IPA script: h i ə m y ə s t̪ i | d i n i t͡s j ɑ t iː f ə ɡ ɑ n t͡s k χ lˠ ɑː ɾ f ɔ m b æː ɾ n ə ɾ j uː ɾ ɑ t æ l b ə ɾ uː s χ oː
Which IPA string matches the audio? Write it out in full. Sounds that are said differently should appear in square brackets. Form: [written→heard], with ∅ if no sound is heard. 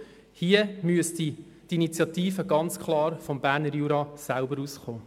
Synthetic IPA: h i ə m y ə s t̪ i | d i n i t͡s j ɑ t iː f ə ɡ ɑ n t͡s k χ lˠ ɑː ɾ f ɔ m b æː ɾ n ə ɾ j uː ɾ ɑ [t→s] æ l b ə ɾ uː s χ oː